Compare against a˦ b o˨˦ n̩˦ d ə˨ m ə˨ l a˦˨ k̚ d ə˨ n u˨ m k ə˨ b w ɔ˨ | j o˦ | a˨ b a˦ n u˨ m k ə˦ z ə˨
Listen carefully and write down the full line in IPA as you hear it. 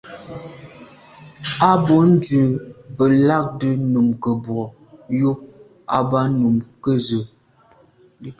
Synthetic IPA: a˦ b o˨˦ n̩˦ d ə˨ b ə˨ l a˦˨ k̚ d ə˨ n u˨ m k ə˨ b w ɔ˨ | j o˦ | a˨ b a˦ n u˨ m k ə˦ z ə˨